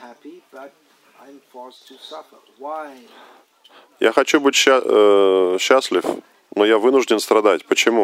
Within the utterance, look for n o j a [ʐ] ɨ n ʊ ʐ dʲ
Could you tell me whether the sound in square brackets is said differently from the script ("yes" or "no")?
yes